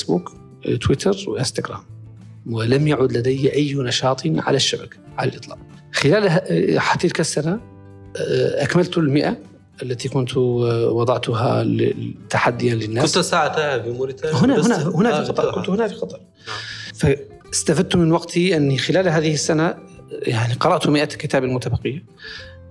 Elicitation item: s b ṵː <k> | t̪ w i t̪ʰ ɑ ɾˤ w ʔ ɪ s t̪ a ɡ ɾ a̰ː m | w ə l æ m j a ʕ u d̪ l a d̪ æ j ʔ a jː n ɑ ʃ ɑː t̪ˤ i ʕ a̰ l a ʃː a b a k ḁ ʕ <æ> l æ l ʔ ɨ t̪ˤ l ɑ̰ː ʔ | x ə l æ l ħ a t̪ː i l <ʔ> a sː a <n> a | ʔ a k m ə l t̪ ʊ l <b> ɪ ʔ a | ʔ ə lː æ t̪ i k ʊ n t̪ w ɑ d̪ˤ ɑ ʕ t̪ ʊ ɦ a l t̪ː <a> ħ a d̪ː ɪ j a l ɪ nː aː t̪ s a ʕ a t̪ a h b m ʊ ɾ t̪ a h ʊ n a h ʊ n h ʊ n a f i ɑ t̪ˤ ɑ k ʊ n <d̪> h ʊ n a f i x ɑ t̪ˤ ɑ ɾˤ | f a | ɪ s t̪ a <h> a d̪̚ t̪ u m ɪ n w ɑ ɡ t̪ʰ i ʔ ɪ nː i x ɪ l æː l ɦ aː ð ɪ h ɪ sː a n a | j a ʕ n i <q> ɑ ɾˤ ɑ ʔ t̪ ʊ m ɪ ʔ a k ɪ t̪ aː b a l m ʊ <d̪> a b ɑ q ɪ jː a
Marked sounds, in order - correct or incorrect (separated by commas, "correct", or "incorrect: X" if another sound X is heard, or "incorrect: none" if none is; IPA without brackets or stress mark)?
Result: correct, incorrect: a, incorrect: k, correct, incorrect: m, correct, incorrect: t̪, incorrect: f, correct, incorrect: t̪